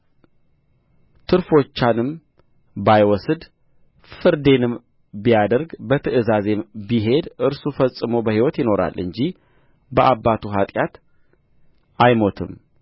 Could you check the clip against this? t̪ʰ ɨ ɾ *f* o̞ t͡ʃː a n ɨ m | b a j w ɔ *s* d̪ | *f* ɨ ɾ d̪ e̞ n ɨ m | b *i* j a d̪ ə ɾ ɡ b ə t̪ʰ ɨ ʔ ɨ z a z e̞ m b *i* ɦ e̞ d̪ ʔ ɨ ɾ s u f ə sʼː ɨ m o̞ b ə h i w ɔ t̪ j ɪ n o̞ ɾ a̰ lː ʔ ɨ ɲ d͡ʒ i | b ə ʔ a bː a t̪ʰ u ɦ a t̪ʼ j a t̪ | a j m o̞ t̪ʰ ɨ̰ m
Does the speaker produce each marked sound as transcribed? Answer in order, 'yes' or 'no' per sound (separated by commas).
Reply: yes, yes, yes, yes, yes